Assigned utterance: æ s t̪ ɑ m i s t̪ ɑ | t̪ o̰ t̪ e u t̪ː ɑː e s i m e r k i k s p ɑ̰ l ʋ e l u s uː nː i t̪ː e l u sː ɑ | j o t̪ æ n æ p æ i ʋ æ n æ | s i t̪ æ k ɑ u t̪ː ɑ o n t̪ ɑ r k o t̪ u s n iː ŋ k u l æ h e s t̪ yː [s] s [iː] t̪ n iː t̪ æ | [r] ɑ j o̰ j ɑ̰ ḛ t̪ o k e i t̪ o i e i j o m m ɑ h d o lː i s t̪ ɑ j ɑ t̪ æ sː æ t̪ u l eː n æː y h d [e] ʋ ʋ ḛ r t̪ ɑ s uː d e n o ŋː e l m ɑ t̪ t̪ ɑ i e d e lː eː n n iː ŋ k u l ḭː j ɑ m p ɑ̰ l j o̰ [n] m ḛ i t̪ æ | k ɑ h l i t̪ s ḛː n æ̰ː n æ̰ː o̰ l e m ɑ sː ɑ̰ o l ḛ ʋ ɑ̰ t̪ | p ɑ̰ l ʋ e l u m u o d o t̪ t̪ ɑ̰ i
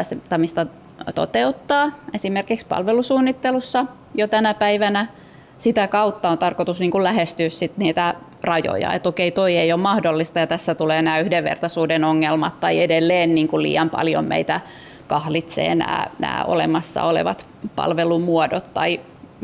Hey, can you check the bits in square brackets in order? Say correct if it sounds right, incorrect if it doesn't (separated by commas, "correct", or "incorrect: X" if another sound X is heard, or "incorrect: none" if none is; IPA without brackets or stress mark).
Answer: correct, incorrect: i, correct, correct, incorrect: m